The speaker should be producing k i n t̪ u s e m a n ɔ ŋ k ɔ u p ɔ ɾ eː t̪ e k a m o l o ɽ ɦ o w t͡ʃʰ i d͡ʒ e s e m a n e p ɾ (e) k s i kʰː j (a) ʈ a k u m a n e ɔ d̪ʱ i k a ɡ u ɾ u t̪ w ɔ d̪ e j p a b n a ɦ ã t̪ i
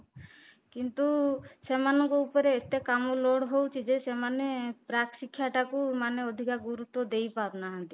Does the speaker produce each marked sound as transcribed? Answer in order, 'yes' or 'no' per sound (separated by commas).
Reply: no, yes